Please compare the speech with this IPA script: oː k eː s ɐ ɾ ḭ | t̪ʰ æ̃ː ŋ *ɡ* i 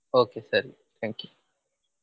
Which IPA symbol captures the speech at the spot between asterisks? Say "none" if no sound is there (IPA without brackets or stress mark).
k